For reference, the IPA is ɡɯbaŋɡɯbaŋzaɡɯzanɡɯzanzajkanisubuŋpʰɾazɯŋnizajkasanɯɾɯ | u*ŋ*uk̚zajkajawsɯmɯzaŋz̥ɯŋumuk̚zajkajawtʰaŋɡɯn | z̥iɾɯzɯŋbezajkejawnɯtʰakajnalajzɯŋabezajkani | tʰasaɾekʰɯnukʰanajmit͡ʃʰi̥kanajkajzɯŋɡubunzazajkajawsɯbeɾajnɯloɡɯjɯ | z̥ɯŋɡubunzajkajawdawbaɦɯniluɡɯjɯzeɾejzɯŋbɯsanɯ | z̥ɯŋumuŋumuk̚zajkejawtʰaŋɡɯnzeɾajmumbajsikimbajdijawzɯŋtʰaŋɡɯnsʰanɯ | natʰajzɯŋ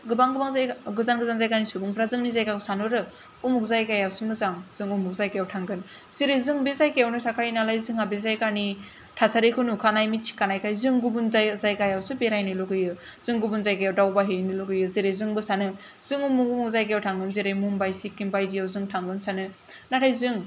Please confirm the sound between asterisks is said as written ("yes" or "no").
no